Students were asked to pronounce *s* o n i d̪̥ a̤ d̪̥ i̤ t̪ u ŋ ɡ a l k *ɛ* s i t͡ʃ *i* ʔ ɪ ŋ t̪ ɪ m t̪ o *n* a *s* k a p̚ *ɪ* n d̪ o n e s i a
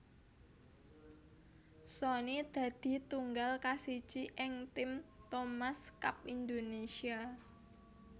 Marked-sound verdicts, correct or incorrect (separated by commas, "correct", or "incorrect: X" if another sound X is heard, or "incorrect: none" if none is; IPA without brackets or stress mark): correct, incorrect: a, correct, incorrect: m, correct, incorrect: i